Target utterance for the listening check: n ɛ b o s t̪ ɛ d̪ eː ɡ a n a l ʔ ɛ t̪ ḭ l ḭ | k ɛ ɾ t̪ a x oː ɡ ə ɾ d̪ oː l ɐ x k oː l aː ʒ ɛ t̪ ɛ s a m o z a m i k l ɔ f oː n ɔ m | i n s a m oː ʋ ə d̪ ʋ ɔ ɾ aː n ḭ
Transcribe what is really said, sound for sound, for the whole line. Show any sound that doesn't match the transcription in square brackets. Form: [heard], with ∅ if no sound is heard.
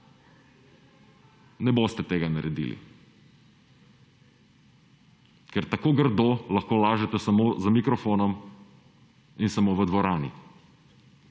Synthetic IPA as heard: n ɛ b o s t̪ ɛ [t̪] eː ɡ a n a [ɾ] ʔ ɛ [d̪] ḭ l ḭ | k ɛ ɾ t̪ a [k] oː ɡ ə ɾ d̪ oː l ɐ x k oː l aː ʒ ɛ t̪ ɛ s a m o z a m i k [ɾ] ɔ f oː n ɔ m | i n s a m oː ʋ ə d̪ ʋ ɔ ɾ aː n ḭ

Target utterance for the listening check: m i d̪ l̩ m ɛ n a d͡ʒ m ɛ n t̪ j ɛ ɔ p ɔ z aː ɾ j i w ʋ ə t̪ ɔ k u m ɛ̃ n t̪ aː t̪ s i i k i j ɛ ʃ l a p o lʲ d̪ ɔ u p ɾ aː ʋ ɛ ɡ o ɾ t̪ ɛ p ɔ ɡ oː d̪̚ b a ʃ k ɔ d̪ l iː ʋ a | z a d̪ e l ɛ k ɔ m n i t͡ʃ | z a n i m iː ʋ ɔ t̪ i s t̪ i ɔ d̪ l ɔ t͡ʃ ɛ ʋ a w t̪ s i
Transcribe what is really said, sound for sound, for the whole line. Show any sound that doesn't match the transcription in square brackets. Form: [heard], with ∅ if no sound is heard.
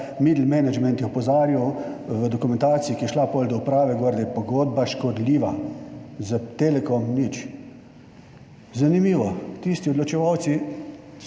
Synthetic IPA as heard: m i d̪ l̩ m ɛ n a d͡ʒ m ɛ n t̪ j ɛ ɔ p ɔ z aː ɾ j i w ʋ ə [d̪] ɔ k u m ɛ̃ n t̪ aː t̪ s i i k i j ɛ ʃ l a p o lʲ d̪ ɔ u p ɾ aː ʋ ɛ ɡ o ɾ [d̪] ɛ p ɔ ɡ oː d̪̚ b a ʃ k ɔ d̪ l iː ʋ a | z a [t̪] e l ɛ k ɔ m n i t͡ʃ | z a n i m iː ʋ ɔ t̪ i s t̪ i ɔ d̪ l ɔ t͡ʃ ɛ ʋ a w t̪ s i

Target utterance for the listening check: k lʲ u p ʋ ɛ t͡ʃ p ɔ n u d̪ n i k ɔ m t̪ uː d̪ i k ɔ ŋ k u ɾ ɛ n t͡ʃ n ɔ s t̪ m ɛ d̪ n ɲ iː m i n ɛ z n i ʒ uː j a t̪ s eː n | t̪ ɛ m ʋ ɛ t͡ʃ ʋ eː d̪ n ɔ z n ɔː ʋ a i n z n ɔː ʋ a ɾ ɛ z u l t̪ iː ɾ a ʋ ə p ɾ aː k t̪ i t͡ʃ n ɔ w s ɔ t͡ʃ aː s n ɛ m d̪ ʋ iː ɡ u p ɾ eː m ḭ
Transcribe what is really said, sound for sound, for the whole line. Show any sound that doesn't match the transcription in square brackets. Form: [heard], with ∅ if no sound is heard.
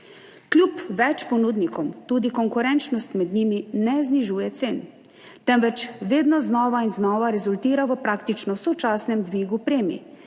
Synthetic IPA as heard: k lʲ u p ʋ ɛ t͡ʃ p ɔ n u d̪ n i k ɔ m t̪ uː d̪ i k ɔ ŋ k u ɾ ɛ n t͡ʃ n ɔ s t̪ m ɛ d̪ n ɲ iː m i n ɛ z n i ʒ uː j [ɛ] t̪ s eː n | t̪ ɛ m ʋ ɛ t͡ʃ ʋ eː d̪ n ɔ z n ɔː ʋ a i n z n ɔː ʋ a ɾ ɛ z u l t̪ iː ɾ a ʋ ə p ɾ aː k t̪ i t͡ʃ n ɔ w s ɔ t͡ʃ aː s n ɛ m d̪ ʋ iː ɡ u p ɾ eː m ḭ

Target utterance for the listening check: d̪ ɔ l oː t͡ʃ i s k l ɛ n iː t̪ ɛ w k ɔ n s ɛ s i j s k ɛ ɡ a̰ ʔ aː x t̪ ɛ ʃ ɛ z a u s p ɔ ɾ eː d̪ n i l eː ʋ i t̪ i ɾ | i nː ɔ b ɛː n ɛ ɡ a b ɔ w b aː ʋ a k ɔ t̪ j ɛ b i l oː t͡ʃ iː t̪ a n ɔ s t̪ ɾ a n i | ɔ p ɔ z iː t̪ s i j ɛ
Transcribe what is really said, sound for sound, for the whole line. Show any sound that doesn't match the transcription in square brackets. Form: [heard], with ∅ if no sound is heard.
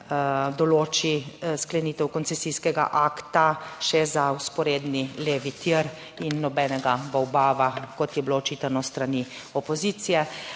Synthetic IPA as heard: d̪ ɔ l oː t͡ʃ i s k l ɛ n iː t̪ ɛ w k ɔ n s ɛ s i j s k ɛ ɡ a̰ ʔ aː [k] t̪ [a] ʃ ɛ z a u s p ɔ ɾ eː d̪ n i l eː ʋ i t̪ i ɾ | i nː ɔ b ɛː n ɛ ɡ a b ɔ w b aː ʋ a k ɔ t̪ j ɛ b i l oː t͡ʃ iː t̪ a n ɔ s t̪ ɾ a n i | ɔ p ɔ z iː t̪ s i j ɛ

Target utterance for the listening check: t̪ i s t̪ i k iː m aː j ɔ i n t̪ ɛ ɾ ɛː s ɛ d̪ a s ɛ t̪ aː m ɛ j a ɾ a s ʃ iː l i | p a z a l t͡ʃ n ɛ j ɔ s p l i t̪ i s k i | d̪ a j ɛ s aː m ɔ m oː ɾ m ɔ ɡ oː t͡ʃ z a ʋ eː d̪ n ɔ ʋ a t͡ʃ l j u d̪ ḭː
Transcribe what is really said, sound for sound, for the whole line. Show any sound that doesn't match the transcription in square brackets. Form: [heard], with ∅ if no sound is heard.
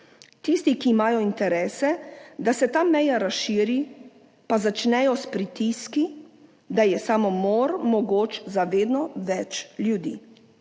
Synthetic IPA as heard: t̪ i s t̪ i k iː m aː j ɔ i n t̪ ɛ ɾ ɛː s ɛ d̪ a s ɛ t̪ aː m ɛ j a ɾ a s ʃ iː [ɾ] i | p a z a [∅] t͡ʃ n ɛ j ɔ s p [ɾ] i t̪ i s k i | d̪ a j ɛ s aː m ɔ m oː ɾ m ɔ ɡ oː t͡ʃ z a ʋ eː d̪ n ɔ ʋ [ɛ] t͡ʃ l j u d̪ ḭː

